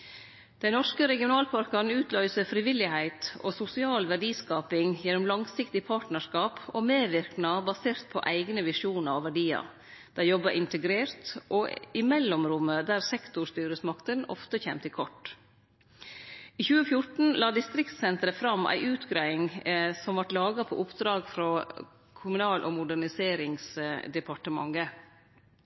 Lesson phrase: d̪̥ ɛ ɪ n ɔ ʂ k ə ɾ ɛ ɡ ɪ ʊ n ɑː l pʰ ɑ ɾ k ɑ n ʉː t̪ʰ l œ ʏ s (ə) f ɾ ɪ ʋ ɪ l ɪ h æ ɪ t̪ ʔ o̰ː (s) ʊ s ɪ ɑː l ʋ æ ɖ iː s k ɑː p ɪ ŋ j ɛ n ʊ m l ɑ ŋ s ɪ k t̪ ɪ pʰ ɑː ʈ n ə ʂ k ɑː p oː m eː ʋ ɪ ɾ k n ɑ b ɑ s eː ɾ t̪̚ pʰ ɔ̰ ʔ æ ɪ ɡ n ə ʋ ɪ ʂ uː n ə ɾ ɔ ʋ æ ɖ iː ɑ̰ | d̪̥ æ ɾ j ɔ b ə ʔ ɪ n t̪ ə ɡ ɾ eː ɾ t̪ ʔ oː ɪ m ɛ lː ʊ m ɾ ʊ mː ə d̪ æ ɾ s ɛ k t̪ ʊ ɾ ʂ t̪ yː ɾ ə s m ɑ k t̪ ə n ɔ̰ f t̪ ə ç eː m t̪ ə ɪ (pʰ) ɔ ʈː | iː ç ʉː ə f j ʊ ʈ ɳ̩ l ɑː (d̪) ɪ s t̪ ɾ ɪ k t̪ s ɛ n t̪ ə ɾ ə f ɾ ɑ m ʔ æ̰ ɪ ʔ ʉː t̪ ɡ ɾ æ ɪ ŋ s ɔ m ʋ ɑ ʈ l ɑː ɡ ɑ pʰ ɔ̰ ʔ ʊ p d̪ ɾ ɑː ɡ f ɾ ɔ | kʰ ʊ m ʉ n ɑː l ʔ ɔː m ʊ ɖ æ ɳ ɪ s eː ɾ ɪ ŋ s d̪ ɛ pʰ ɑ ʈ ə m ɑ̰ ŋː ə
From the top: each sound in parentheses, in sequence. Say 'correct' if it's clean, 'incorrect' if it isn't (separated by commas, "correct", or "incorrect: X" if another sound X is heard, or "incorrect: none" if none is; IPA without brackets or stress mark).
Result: correct, correct, incorrect: kʰ, correct